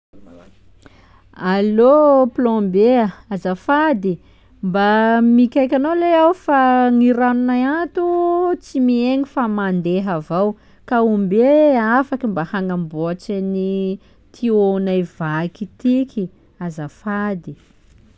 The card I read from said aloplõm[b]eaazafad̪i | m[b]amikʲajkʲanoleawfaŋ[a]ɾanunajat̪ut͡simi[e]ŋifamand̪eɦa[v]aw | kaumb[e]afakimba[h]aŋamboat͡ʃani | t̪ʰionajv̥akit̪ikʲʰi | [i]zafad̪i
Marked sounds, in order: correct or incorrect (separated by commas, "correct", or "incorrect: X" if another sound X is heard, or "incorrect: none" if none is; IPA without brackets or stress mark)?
correct, correct, incorrect: i, correct, correct, correct, correct, incorrect: a